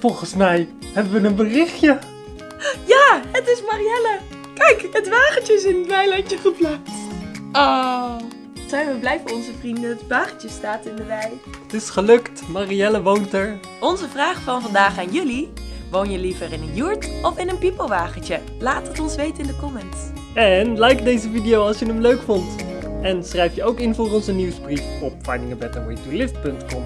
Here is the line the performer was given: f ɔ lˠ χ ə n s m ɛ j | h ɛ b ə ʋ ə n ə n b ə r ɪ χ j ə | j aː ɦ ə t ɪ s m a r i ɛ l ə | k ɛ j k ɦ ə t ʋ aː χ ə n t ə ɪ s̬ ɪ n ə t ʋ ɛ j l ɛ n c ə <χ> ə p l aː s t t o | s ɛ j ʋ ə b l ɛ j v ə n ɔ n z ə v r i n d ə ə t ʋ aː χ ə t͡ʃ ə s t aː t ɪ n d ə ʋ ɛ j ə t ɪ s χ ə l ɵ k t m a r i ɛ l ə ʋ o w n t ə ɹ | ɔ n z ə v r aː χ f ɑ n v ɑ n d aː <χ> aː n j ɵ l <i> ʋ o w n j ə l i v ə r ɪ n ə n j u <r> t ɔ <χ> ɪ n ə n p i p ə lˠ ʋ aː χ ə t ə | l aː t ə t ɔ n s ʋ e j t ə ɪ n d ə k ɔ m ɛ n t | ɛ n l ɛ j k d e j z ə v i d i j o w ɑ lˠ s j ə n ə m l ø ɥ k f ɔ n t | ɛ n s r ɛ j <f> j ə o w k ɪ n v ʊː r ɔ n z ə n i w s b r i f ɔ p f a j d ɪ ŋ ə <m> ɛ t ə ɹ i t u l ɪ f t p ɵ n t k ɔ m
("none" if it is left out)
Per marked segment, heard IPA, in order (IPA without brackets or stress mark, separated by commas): χ, χ, i, ɹ, f, f, b